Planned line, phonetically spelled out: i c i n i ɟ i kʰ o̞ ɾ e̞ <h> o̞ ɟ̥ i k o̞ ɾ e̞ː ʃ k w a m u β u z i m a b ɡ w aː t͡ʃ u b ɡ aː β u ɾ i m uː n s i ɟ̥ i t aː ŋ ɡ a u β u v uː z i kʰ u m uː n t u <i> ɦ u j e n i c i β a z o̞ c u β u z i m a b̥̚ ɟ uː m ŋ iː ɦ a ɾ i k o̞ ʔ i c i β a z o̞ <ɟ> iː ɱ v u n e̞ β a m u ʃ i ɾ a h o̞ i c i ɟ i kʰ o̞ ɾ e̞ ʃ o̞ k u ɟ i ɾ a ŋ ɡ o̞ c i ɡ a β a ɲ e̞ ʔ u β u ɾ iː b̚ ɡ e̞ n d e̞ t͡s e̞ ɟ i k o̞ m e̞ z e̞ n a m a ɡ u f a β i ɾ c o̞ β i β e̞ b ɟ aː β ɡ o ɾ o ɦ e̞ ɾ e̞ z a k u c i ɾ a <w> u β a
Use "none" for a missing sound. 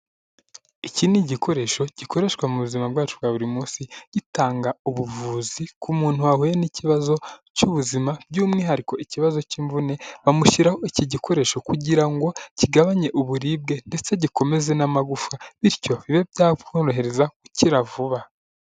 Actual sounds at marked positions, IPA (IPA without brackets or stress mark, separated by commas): ʃ, a, c, v